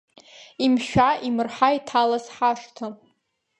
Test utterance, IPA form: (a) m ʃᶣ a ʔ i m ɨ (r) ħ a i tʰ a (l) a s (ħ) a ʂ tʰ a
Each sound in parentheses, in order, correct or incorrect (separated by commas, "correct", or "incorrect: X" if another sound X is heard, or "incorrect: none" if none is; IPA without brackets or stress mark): incorrect: i, correct, correct, correct